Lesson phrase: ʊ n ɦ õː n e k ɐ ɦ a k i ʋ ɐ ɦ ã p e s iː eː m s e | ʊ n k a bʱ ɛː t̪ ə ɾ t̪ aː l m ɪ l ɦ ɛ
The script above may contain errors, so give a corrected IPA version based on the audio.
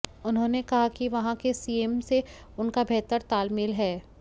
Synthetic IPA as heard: ʊ n ɦ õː n e k ɐ ɦ a k i ʋ ɐ ɦ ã k e s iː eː m s e | ʊ n k a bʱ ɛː t̪ ə ɾ t̪ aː l m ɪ l ɦ ɛː